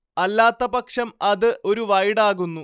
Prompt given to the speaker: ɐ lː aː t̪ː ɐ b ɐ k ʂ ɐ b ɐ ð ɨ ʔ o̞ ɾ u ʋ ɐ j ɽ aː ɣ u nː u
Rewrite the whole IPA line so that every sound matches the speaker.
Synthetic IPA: ɐ lː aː t̪ː ɐ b ɐ k ʂ ɐ m ɐ ð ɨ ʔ o̞ ɾ u ʋ ɐ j ɽ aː ɣ u nː u